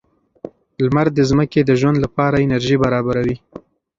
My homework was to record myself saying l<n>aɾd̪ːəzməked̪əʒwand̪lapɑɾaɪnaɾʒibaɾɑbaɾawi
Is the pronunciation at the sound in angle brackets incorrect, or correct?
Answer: incorrect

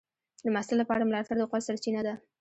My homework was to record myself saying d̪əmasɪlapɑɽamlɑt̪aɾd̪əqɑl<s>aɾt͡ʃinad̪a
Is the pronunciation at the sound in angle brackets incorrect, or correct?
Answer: correct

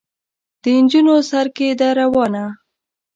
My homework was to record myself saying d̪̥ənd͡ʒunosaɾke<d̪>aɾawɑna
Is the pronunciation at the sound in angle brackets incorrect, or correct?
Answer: correct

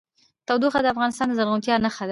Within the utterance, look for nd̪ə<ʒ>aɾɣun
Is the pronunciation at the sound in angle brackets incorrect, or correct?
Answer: incorrect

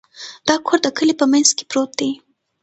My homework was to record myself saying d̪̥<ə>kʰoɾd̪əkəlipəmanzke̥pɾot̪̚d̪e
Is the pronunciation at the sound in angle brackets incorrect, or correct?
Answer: incorrect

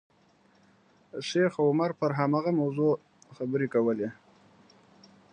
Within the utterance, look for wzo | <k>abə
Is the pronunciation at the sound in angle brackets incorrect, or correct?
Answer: incorrect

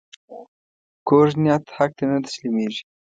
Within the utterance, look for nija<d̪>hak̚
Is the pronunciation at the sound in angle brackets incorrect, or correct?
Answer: incorrect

